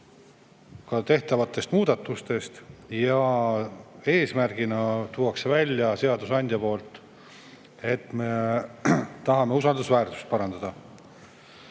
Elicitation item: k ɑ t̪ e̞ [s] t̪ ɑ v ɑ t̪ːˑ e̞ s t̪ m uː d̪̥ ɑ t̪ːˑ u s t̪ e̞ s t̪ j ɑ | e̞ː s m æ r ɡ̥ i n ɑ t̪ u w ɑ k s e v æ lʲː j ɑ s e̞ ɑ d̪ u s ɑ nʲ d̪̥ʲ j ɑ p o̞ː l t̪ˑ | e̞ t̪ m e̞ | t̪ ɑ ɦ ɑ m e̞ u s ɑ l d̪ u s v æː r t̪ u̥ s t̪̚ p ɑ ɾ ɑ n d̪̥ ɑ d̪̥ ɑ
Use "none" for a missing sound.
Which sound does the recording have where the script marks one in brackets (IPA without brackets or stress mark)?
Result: h